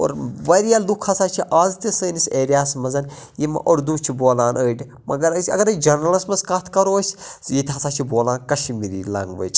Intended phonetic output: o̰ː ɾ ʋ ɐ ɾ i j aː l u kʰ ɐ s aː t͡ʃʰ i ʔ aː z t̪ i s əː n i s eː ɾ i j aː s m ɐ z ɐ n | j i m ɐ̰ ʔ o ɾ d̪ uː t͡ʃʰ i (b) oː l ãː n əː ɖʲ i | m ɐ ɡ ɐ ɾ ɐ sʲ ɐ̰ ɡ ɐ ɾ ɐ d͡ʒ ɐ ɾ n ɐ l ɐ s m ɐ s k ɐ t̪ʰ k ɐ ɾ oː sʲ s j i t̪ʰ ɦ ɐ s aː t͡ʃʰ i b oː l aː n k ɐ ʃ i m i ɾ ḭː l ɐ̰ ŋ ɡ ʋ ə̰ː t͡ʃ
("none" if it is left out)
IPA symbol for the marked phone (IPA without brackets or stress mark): b